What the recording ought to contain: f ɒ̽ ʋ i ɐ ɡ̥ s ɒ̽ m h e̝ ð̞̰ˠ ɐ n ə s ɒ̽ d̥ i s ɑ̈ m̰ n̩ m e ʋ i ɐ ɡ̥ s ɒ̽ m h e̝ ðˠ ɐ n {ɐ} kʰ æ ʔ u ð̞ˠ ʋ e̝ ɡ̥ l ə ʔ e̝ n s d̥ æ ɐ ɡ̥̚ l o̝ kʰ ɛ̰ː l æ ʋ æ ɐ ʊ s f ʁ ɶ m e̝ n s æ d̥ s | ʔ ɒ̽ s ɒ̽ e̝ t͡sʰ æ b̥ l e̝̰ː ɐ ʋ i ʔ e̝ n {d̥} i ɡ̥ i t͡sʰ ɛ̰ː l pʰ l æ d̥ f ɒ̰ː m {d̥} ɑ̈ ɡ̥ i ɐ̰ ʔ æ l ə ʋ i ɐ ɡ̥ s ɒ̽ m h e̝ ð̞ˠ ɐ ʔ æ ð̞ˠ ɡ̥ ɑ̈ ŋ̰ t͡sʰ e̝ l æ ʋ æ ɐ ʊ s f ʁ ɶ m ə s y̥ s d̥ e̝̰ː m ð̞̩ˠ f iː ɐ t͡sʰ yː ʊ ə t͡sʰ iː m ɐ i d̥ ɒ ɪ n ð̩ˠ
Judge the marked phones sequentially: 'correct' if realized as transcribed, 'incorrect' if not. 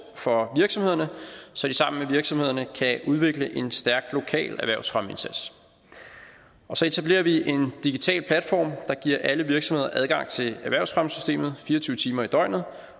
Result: incorrect, correct, correct

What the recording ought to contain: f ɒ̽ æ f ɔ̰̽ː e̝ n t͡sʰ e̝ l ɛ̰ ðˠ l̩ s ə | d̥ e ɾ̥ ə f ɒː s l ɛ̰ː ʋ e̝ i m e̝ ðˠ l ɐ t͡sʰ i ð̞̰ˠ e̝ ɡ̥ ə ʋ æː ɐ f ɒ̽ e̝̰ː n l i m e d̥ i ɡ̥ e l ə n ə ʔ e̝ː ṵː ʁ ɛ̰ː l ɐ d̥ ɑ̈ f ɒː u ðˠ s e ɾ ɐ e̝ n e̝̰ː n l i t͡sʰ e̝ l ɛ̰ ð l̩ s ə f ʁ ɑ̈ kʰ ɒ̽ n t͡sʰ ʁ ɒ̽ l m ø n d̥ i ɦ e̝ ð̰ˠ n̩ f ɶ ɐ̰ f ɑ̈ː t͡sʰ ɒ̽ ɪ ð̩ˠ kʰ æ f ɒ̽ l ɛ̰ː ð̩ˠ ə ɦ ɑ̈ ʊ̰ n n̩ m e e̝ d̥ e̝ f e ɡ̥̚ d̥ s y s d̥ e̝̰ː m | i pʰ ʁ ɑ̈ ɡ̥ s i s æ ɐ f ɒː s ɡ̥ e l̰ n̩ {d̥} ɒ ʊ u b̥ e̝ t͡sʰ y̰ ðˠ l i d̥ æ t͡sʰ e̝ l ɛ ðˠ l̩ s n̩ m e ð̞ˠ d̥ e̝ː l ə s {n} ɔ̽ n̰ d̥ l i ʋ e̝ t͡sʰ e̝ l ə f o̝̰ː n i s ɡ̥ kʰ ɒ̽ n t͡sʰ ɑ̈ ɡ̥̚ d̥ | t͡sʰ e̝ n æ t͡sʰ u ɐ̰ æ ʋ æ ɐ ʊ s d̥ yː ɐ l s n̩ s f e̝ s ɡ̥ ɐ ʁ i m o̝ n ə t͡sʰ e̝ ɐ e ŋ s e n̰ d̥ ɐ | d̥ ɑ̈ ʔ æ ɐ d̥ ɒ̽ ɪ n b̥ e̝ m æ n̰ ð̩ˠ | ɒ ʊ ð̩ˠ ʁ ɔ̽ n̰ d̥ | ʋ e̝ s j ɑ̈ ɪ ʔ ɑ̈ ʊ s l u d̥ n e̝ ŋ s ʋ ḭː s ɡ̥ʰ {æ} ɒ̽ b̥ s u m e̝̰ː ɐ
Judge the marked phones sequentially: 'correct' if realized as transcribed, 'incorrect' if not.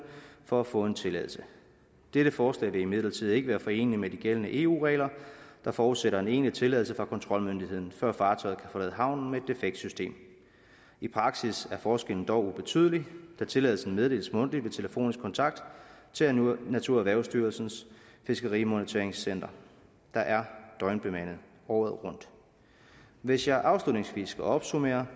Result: correct, incorrect, correct

